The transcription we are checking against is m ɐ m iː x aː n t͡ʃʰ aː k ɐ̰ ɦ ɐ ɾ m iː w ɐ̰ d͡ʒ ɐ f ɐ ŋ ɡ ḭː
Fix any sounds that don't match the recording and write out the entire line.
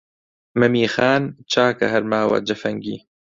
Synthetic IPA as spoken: m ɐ m iː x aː n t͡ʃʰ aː k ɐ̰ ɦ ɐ ɾ m aː w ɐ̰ d͡ʒ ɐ f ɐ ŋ ɡ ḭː